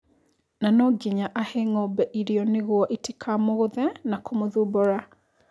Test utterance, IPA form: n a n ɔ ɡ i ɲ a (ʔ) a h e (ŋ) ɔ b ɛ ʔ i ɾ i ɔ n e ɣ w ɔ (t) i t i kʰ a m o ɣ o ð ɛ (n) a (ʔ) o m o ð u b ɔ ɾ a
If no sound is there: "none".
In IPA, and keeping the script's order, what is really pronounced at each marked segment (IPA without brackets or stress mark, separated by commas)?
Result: ʔ, ŋ, ʔ, n, k